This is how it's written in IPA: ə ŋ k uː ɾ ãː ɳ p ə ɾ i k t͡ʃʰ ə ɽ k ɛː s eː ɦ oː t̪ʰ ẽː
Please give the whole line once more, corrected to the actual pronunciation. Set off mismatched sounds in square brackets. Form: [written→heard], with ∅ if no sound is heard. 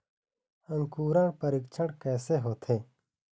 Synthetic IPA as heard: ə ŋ k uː ɾ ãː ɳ p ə ɾ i k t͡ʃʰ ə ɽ k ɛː s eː ɦ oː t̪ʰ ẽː